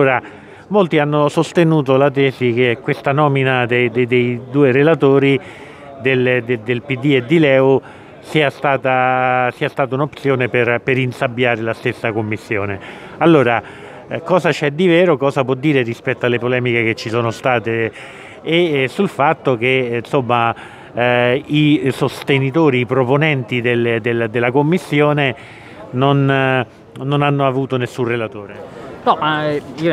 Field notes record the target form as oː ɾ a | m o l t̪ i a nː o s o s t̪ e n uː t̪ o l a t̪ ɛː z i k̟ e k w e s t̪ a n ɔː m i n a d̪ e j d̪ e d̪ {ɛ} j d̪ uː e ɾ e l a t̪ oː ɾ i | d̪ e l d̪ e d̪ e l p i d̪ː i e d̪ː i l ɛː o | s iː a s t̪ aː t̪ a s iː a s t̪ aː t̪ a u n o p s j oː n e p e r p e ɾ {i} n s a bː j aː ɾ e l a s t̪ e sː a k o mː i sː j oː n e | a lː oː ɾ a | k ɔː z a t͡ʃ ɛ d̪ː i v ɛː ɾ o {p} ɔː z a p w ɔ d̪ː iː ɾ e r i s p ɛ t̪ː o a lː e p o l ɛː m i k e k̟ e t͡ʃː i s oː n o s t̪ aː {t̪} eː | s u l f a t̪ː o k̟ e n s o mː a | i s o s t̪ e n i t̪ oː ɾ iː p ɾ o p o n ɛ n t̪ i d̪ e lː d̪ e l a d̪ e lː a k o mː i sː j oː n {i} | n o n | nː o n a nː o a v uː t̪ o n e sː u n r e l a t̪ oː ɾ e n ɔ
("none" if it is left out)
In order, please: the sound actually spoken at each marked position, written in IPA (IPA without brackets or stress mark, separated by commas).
e, i, k, t̪, e